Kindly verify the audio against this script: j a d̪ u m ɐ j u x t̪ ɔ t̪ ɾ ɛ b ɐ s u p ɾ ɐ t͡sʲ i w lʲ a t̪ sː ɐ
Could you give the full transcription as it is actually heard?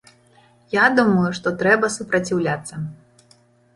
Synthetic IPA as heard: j a d̪ u m ɐ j u ʂ t̪ ɔ t̪ ɾ ɛ b ɐ s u p ɾ ɐ t͡sʲ i w lʲ a t̪ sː ɐ